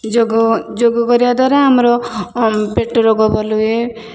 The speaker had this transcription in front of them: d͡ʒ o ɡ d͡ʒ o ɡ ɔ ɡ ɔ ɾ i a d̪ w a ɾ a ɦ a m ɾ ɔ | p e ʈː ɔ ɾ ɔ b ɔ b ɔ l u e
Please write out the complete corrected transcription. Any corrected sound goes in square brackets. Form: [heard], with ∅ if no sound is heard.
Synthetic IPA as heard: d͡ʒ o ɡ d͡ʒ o ɡ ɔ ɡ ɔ ɾ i a d̪ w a ɾ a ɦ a m ɾ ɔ | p e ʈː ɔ ɾ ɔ [ɡ] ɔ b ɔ l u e